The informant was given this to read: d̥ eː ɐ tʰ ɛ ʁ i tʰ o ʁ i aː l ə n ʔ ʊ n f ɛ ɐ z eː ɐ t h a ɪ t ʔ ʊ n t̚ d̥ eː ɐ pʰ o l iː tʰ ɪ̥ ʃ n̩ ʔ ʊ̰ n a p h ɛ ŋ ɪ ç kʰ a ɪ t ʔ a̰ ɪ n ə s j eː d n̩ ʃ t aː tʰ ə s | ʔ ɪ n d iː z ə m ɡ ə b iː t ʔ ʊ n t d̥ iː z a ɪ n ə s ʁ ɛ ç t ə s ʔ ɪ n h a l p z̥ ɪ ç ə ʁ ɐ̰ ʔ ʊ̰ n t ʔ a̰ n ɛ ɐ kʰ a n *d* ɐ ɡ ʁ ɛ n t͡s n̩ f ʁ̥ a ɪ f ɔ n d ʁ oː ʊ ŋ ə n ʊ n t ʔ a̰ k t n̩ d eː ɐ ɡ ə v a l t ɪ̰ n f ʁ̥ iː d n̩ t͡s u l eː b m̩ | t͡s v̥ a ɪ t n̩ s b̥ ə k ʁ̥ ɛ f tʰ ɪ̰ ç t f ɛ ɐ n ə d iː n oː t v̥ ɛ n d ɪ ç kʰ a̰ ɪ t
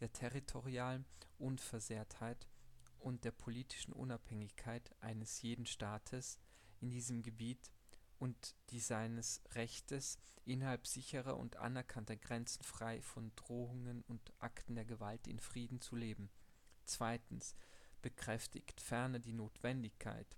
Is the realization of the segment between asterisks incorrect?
yes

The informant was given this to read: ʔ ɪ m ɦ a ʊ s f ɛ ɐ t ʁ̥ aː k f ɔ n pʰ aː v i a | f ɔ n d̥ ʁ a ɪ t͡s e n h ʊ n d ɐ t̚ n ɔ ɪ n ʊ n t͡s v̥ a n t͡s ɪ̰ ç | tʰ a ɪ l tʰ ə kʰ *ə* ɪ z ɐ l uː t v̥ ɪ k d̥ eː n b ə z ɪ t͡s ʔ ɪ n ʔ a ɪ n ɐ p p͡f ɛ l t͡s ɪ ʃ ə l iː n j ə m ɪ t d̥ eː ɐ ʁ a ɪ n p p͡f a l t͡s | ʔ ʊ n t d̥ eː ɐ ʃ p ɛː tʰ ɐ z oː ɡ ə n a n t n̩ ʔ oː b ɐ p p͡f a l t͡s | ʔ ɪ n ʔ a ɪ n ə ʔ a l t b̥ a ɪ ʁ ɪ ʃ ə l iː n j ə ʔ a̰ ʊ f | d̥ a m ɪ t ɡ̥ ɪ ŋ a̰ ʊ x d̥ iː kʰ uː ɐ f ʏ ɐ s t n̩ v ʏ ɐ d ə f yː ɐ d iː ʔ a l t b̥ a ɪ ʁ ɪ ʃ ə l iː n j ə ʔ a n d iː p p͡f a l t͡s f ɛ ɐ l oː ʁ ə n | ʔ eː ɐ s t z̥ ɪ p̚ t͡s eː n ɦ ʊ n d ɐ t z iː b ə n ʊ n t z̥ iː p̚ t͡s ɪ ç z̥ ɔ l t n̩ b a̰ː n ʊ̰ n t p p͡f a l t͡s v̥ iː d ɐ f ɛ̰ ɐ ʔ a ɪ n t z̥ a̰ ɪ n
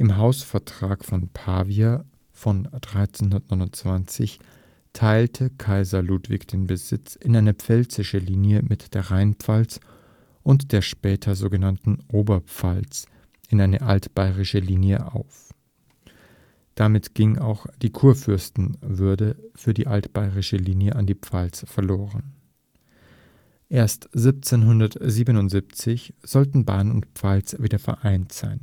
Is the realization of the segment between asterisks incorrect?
yes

